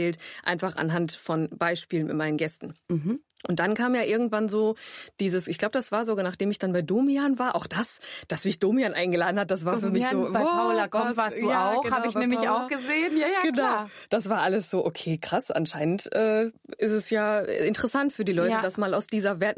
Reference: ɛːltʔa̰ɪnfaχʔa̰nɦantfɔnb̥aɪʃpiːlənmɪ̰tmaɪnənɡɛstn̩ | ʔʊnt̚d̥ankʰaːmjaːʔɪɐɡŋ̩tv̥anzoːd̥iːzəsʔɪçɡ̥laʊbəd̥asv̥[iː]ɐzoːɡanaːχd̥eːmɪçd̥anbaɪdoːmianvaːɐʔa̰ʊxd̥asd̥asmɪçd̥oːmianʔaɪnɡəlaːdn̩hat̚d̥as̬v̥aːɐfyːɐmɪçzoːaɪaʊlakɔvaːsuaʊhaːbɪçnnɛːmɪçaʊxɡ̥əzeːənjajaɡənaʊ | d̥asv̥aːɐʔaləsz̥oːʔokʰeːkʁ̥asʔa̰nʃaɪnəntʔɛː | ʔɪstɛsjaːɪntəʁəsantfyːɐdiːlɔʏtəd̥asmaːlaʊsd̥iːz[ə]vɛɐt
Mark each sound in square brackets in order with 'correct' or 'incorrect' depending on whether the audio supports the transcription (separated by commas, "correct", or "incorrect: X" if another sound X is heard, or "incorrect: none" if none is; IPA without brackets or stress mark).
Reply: incorrect: aː, incorrect: ɐ